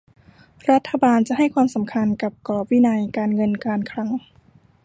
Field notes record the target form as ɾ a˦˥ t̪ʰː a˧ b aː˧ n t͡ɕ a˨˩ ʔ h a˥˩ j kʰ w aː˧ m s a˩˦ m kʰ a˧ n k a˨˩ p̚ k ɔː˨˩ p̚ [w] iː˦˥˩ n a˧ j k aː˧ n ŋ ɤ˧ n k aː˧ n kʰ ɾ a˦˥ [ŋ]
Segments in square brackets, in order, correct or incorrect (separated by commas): correct, correct